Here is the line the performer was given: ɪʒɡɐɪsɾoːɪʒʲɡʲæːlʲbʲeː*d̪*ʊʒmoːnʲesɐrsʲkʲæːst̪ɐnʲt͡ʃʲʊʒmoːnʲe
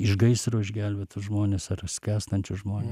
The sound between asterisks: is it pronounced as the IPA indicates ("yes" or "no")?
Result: no